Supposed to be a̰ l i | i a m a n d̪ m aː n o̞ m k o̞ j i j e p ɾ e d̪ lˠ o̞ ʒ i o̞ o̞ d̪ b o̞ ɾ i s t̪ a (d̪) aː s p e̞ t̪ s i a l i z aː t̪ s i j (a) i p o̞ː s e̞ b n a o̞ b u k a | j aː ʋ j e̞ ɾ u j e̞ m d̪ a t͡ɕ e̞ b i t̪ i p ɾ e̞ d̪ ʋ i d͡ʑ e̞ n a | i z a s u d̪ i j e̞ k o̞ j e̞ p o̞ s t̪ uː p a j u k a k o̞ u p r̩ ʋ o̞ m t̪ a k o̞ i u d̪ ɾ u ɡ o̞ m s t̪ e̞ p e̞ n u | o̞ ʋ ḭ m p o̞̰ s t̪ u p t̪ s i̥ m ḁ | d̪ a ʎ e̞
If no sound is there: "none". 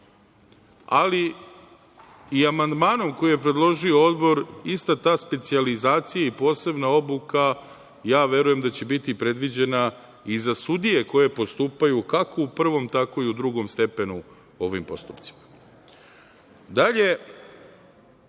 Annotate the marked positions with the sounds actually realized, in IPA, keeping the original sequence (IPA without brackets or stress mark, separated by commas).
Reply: t̪, a